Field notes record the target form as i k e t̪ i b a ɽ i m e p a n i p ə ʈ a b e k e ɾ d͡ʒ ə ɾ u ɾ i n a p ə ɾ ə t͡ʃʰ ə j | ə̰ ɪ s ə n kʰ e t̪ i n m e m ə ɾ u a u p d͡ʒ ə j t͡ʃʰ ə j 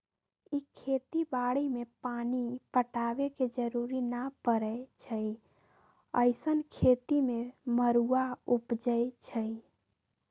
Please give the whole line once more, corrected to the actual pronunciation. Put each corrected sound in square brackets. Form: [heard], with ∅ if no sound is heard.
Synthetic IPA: i [kʰ] e t̪ i b a ɽ i m e p a n i p ə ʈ a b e k e [∅] d͡ʒ ə ɾ u ɾ i n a p ə ɾ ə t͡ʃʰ ə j | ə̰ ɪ s ə n kʰ e t̪ i [∅] m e m ə ɾ u a u p d͡ʒ ə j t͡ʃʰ ə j